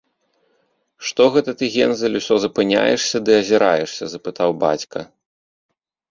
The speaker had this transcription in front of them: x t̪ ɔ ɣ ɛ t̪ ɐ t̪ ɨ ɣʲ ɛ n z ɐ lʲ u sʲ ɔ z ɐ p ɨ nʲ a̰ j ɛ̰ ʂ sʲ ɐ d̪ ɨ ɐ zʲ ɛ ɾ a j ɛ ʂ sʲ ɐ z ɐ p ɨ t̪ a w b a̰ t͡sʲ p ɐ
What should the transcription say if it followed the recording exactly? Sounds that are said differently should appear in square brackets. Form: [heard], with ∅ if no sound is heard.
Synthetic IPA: [ʂ] t̪ ɔ ɣ ɛ t̪ ɐ t̪ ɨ ɣʲ ɛ n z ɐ lʲ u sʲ ɔ z ɐ p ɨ nʲ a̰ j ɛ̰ ʂ sʲ ɐ d̪ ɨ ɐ zʲ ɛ ɾ a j ɛ ʂ sʲ ɐ z ɐ p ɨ t̪ a w b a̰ t͡sʲ [k] ɐ